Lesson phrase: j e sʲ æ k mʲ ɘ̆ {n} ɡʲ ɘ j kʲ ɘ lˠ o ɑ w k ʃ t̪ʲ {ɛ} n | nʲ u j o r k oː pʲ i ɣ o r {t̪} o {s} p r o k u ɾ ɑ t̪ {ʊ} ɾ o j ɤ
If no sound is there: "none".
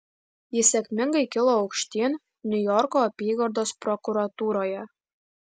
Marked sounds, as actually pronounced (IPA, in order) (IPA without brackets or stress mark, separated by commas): ŋ, e, d̪, s, u